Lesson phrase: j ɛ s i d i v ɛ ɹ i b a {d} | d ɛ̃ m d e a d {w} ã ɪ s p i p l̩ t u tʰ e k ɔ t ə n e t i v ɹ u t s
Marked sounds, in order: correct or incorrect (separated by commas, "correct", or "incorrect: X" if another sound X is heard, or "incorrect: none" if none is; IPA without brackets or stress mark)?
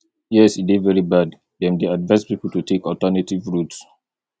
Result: correct, incorrect: v